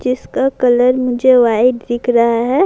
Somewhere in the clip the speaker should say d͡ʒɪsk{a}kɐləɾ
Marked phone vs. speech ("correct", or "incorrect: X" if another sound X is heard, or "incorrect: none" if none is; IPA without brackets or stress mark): correct